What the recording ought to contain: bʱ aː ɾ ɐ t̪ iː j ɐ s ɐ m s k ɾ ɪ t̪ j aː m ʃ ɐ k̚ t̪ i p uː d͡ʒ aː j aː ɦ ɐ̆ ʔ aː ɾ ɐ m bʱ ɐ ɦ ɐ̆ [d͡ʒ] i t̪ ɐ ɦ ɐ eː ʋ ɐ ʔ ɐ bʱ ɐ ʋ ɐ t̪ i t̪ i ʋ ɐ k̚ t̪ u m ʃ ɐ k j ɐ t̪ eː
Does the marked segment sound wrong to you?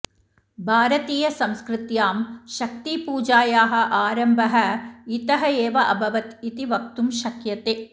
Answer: yes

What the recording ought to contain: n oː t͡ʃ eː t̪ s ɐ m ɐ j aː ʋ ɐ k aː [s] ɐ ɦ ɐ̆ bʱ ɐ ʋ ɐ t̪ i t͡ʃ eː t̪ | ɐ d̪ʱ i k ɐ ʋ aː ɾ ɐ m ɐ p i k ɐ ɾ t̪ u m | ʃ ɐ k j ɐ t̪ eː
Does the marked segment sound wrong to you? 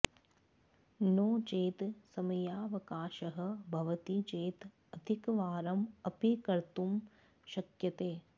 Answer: yes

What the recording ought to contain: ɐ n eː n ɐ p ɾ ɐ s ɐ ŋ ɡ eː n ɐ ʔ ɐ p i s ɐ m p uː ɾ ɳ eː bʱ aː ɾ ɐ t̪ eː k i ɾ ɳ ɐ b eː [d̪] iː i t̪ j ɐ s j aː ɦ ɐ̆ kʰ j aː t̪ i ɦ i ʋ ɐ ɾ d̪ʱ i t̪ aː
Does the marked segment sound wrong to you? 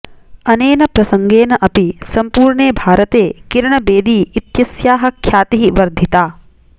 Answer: no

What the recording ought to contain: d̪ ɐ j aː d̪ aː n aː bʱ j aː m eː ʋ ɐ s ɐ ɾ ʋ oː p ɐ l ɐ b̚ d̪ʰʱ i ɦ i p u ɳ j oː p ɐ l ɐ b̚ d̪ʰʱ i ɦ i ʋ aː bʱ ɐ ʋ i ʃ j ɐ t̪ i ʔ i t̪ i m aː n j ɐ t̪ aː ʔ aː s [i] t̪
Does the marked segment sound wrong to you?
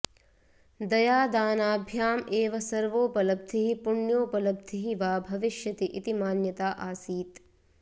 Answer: yes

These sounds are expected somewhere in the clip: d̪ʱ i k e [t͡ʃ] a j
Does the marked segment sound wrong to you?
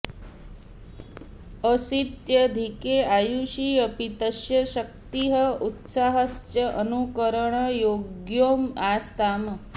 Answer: yes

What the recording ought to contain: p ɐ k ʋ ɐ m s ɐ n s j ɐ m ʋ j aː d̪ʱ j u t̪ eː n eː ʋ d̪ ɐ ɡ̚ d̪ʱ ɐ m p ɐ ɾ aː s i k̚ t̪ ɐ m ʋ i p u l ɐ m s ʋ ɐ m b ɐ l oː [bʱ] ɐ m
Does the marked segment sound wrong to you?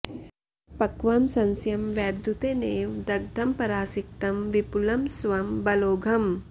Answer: yes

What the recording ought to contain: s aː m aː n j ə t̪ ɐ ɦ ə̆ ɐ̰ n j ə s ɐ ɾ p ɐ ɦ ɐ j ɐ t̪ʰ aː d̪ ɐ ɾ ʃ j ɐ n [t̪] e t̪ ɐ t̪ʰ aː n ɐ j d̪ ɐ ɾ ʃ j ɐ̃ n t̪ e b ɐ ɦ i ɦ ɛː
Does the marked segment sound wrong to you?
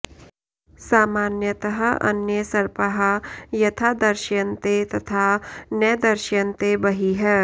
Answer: no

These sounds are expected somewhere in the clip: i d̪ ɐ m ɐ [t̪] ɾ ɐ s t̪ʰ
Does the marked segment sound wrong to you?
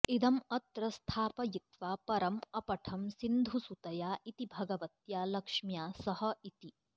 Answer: no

